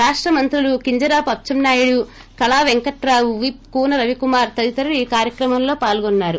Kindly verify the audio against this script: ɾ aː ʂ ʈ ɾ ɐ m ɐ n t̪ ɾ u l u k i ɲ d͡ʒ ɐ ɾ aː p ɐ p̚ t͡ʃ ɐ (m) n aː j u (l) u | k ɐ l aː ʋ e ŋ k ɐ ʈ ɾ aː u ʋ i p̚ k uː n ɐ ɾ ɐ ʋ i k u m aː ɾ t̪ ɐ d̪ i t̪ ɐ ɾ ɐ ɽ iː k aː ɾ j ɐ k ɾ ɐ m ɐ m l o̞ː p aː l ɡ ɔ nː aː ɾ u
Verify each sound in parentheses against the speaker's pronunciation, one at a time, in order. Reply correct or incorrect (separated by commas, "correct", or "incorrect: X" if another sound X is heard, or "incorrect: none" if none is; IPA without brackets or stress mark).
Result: correct, incorrect: ɽ